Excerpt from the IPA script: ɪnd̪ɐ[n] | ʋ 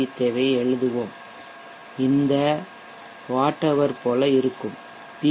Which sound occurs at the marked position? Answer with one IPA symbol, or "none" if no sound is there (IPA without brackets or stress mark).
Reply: none